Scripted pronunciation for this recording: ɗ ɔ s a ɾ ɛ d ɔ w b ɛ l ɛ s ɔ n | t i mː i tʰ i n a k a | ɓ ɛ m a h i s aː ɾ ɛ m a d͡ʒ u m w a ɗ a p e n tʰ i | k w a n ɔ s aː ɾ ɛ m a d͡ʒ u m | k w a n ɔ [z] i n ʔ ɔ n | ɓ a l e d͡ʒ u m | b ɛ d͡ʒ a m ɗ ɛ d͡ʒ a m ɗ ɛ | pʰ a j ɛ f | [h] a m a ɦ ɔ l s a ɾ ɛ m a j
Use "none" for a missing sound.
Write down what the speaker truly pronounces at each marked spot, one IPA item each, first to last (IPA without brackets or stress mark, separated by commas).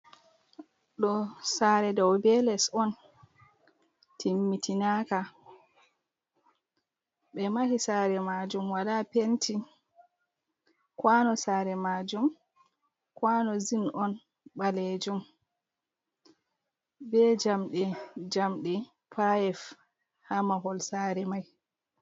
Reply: z, h